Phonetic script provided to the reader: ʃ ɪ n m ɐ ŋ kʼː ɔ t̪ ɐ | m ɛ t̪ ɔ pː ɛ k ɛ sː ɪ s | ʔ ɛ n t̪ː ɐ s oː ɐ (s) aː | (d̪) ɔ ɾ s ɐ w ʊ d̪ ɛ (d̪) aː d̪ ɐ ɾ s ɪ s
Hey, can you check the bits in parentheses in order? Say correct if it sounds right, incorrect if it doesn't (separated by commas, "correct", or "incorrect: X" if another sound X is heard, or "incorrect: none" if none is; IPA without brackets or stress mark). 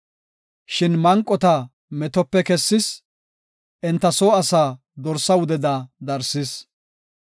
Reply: correct, correct, correct